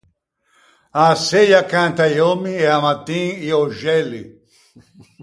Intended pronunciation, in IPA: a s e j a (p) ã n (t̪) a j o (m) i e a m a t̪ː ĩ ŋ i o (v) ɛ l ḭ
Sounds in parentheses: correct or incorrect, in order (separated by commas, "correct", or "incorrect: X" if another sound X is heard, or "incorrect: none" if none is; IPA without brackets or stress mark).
incorrect: k, correct, correct, incorrect: ʒ